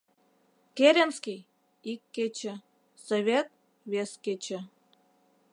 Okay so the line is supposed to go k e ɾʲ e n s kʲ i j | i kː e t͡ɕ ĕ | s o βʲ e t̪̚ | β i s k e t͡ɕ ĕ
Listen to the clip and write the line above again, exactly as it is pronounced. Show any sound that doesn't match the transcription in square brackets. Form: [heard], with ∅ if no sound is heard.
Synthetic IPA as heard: k e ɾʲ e n s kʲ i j | i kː e t͡ɕ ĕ | s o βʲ e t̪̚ | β [e] s k e t͡ɕ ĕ